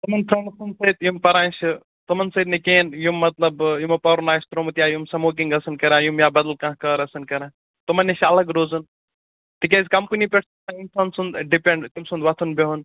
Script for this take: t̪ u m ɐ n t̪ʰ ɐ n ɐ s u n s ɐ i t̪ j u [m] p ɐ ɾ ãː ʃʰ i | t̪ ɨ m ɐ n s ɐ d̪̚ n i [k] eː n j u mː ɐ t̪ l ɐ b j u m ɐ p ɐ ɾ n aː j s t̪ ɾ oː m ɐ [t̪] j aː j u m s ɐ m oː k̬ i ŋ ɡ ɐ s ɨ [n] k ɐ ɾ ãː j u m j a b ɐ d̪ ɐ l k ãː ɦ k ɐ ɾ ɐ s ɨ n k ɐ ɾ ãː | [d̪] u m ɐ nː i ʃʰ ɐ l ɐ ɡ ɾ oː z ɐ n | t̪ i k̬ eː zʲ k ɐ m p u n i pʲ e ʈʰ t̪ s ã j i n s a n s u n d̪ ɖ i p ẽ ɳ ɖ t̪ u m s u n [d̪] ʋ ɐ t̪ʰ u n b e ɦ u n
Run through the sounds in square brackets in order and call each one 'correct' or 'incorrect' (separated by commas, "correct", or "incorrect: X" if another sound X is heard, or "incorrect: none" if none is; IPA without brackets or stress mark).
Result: correct, correct, correct, correct, incorrect: t̪, correct